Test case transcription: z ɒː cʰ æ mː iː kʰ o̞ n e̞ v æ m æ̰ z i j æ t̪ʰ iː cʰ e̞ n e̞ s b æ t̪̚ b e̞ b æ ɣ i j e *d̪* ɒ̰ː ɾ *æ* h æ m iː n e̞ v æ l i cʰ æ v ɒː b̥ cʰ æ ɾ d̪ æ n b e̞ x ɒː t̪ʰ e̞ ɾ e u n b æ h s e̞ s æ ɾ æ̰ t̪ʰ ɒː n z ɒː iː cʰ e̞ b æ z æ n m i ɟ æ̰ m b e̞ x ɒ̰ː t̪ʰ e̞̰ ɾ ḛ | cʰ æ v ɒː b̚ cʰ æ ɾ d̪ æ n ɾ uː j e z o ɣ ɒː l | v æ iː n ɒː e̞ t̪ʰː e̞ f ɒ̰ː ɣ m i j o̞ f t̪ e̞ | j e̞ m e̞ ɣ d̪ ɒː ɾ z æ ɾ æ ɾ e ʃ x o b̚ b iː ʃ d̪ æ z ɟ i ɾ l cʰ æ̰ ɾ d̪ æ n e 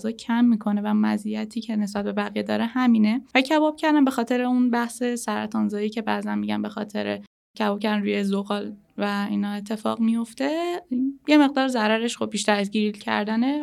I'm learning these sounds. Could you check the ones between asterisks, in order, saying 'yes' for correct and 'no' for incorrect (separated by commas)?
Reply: yes, no